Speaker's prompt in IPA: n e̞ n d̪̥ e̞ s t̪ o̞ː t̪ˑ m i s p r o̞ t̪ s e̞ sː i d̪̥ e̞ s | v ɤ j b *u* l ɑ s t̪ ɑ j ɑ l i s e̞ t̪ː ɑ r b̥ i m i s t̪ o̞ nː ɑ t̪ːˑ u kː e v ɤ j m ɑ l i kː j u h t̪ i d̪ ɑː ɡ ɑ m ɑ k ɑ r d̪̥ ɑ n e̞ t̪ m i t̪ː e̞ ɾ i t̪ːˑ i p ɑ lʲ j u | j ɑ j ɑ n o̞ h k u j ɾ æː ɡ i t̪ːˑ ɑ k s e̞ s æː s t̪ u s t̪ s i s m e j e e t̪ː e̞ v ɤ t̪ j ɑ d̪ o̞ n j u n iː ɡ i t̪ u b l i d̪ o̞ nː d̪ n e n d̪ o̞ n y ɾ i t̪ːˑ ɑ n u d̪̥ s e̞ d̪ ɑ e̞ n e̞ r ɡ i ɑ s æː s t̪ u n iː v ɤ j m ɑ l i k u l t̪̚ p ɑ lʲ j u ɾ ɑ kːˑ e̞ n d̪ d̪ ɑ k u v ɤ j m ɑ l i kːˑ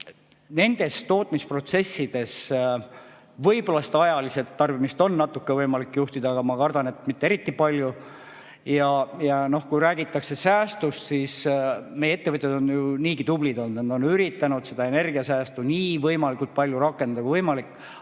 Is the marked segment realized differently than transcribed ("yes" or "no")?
yes